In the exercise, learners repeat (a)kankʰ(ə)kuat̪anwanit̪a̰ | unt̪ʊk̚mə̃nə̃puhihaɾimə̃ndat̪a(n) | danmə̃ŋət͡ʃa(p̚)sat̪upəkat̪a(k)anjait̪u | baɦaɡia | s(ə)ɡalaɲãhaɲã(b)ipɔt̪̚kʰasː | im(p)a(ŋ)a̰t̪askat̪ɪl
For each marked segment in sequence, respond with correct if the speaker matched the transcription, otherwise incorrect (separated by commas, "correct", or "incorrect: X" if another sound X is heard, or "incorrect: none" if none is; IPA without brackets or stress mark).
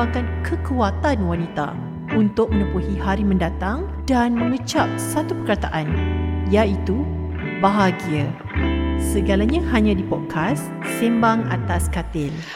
correct, correct, incorrect: ŋ, correct, incorrect: ʔ, correct, incorrect: d, incorrect: b, correct